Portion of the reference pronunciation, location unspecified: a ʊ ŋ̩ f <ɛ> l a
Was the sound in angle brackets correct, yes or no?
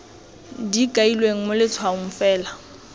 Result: no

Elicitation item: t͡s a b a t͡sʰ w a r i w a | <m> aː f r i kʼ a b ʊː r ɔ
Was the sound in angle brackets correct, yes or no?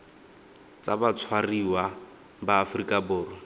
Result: no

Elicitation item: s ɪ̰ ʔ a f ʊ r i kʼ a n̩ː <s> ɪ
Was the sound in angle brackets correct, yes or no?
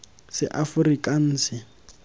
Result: yes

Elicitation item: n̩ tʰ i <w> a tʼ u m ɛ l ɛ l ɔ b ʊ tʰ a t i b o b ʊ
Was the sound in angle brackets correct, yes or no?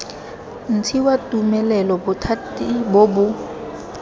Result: yes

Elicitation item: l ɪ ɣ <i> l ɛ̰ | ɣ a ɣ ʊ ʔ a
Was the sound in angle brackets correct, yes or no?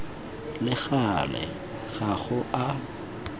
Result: no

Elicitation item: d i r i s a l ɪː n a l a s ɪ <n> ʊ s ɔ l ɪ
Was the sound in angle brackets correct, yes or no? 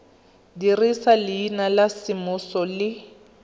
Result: no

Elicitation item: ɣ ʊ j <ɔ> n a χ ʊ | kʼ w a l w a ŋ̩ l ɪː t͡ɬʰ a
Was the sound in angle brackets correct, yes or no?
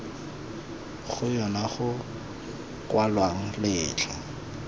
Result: yes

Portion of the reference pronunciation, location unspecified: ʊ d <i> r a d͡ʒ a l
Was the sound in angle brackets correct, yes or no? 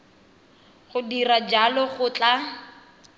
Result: yes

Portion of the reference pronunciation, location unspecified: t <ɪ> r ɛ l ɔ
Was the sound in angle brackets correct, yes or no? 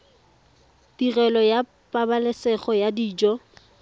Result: no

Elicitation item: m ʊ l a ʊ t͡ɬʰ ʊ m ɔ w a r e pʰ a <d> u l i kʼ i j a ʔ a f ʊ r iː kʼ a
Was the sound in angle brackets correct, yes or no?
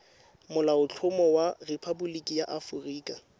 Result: no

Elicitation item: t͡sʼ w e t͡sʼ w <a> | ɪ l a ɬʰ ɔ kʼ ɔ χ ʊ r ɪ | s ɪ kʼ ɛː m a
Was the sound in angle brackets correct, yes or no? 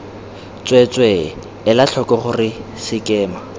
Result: no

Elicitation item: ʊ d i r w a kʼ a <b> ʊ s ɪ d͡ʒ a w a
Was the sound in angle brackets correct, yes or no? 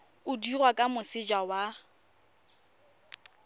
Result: no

